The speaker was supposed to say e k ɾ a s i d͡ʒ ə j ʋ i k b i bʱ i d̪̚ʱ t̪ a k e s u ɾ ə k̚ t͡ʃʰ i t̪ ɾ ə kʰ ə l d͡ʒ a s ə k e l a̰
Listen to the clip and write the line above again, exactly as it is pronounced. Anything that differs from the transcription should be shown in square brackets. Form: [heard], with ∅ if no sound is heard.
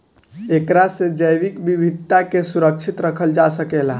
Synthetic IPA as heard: e k ɾ a s [e] d͡ʒ ə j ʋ i k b i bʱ i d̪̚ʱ t̪ a k e s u ɾ ə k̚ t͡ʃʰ i t̪ ɾ ə kʰ ə l d͡ʒ a s ə k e l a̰